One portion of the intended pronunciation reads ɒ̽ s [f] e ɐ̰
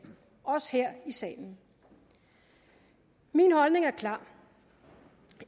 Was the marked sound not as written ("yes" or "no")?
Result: yes